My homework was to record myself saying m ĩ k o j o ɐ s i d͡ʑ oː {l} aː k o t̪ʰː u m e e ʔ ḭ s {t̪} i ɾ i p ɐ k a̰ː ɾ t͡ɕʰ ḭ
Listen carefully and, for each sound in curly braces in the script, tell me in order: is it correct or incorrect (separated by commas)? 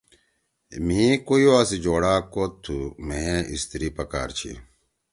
incorrect, correct